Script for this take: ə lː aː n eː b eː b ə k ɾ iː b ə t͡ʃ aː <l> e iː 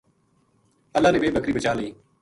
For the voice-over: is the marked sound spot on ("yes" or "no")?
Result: yes